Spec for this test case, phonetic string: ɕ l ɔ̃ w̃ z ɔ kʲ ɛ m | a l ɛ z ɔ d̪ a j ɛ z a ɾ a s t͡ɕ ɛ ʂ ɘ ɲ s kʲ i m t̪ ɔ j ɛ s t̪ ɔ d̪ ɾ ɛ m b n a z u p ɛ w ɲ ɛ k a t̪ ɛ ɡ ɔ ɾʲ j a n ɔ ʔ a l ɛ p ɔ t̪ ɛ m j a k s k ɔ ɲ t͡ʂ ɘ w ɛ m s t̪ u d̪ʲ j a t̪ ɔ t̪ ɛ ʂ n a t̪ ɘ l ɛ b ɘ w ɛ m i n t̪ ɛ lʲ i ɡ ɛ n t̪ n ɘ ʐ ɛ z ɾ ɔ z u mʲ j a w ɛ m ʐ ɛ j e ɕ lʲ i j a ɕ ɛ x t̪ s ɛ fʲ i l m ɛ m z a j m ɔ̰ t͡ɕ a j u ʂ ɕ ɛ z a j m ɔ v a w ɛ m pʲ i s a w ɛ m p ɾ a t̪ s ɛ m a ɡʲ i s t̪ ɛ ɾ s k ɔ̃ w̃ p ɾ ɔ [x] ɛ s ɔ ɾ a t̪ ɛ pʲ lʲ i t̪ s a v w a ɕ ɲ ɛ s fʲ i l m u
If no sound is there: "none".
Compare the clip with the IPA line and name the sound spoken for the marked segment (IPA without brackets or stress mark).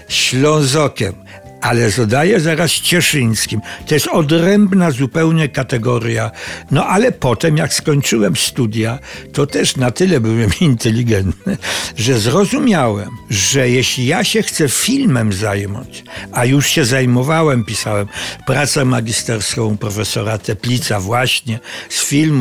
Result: f